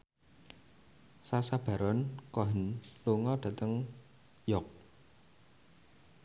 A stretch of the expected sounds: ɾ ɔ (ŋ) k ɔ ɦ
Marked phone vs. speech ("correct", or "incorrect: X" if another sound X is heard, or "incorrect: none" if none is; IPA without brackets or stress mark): incorrect: n